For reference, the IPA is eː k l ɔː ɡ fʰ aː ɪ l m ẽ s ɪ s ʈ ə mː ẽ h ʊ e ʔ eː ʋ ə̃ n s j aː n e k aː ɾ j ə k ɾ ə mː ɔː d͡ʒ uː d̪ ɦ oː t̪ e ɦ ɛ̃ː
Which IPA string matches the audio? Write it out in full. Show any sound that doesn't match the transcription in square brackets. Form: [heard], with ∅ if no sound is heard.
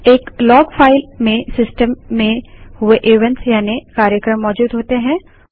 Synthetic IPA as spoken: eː k l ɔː ɡ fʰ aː ɪ l m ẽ s ɪ s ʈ ə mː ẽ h ʊ e ʔ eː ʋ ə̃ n s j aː n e k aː ɾ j ə k ɾ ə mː ɔː d͡ʒ uː d̪ ɦ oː t̪ e ɦ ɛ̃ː